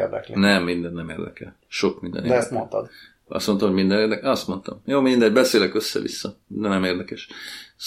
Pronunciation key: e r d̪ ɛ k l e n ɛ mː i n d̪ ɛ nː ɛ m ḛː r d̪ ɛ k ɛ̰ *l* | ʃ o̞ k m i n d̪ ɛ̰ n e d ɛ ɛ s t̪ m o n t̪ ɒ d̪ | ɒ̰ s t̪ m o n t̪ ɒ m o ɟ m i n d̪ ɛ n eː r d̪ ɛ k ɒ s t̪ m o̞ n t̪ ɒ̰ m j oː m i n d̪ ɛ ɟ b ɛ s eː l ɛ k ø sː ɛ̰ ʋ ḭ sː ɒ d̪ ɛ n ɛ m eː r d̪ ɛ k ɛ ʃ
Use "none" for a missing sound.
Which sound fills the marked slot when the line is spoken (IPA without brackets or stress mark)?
l